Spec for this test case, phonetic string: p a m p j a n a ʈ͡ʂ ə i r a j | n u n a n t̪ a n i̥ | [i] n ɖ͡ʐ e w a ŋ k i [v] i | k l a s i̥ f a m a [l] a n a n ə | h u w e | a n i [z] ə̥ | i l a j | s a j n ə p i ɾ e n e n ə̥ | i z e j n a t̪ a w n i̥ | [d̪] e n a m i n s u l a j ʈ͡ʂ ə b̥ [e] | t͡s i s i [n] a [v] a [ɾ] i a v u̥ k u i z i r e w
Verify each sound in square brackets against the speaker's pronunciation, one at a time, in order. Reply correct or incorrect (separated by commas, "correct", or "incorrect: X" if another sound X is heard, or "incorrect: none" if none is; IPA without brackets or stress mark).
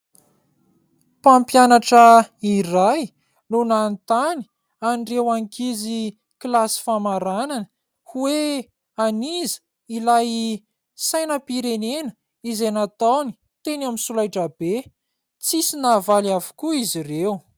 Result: incorrect: a, incorrect: z, incorrect: ɾ, correct, incorrect: t̪, correct, correct, correct, incorrect: l